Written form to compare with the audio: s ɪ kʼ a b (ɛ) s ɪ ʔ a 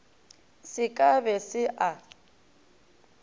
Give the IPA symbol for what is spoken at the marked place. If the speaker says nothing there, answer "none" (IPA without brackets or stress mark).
ɛ